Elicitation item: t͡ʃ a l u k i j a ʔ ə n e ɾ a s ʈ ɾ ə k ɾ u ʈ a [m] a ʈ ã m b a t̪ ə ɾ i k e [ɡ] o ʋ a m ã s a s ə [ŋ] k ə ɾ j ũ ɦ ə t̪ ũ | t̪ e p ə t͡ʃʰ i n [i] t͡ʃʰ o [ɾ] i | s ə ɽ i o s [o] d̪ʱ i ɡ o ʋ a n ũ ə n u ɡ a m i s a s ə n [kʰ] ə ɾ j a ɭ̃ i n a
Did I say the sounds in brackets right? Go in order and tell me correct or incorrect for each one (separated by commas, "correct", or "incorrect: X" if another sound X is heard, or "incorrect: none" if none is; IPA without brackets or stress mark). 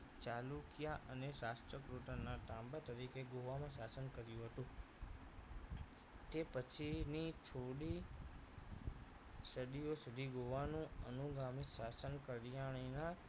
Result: incorrect: n, correct, incorrect: n, correct, incorrect: ɽ, incorrect: u, incorrect: k